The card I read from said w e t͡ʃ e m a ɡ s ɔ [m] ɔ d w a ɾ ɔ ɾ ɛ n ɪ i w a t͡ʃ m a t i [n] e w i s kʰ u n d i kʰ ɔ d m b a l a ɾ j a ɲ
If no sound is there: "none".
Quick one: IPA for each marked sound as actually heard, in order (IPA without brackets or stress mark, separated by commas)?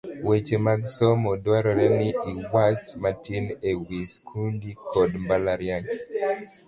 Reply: m, n